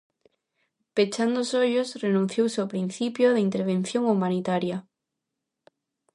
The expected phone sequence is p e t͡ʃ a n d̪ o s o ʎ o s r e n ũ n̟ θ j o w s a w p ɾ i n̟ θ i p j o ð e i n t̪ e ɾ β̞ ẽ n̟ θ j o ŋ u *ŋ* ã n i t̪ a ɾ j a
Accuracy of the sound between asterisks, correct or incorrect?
incorrect